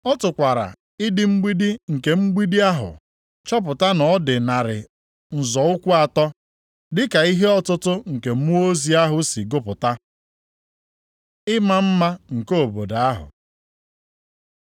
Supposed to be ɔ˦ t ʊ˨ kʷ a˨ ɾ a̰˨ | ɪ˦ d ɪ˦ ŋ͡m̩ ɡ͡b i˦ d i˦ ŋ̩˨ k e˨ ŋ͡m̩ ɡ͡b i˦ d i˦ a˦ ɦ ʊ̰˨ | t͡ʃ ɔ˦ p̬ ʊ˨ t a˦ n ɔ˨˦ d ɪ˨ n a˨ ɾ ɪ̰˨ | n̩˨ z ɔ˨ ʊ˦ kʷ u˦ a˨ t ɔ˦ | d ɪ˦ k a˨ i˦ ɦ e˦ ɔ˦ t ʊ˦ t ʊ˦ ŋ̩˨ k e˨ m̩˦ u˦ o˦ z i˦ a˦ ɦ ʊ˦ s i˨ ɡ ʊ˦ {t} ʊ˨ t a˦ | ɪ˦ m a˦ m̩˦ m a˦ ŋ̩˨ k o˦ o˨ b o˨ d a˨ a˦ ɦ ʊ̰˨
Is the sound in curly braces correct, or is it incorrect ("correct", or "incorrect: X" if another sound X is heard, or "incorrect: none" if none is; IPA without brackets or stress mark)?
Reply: incorrect: p